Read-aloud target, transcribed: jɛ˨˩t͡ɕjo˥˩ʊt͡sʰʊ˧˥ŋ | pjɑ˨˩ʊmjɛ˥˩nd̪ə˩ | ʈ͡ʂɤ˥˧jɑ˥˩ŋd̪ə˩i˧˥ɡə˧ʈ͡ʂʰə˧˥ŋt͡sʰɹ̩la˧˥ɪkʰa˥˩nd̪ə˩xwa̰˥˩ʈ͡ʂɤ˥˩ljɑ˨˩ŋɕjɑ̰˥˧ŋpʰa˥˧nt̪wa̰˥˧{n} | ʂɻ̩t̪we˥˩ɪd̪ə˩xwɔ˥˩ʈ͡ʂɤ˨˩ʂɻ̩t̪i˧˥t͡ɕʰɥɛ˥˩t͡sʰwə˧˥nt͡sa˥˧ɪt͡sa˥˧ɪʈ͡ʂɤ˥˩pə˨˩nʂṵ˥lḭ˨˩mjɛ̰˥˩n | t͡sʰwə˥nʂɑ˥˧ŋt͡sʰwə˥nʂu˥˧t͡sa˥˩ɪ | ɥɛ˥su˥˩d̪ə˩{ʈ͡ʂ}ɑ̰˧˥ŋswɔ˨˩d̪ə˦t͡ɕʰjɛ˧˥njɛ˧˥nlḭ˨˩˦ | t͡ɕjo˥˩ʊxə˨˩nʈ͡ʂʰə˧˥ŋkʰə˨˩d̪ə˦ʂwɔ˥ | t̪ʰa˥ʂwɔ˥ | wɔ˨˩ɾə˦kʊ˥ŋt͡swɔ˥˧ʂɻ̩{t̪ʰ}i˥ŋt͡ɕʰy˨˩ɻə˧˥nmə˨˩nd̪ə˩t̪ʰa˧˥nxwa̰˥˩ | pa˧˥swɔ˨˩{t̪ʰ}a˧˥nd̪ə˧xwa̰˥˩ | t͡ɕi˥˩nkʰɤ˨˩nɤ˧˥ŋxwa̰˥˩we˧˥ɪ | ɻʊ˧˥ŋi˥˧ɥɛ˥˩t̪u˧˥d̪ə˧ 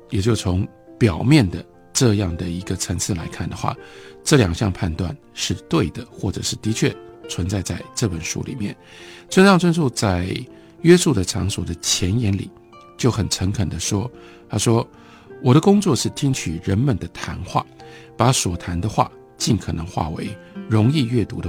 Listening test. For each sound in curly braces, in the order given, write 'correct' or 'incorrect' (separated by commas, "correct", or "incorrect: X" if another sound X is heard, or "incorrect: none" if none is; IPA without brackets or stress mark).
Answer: correct, incorrect: ʈ͡ʂʰ, correct, correct